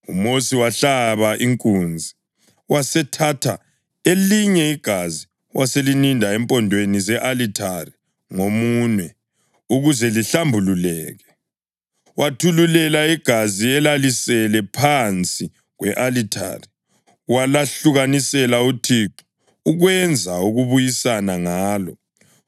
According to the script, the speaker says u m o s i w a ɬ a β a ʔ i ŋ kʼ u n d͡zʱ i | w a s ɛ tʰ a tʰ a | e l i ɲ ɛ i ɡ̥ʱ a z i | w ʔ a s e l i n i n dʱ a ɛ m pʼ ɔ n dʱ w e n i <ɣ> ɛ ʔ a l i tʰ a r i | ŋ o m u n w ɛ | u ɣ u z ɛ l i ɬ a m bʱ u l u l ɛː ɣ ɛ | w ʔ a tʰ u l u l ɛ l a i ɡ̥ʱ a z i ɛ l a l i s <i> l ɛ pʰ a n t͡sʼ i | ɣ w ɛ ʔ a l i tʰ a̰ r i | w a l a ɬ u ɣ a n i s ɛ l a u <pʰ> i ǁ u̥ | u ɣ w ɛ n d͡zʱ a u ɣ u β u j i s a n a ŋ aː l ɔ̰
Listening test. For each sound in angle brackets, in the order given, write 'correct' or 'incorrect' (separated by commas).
incorrect, incorrect, incorrect